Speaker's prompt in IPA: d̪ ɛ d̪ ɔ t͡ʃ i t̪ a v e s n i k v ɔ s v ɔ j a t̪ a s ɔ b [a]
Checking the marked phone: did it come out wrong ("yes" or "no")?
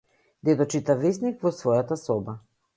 no